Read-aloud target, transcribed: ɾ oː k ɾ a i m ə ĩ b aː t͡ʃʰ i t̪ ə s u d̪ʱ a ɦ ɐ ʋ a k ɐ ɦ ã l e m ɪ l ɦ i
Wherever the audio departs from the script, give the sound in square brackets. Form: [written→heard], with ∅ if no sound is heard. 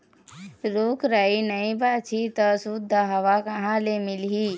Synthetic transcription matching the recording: ɾ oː k ɾ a i [m→n] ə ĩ b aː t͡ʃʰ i t̪ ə s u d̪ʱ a ɦ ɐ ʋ a k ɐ ɦ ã l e m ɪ l ɦ i